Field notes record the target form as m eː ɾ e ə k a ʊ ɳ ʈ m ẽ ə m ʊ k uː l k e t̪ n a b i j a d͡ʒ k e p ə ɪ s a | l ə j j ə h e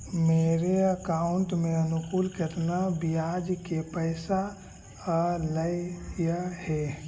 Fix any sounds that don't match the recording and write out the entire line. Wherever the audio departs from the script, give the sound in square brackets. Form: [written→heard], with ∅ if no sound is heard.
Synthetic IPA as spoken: m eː ɾ e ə k a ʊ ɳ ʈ m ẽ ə [m→n] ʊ k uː l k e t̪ n a b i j a d͡ʒ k e p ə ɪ s a | l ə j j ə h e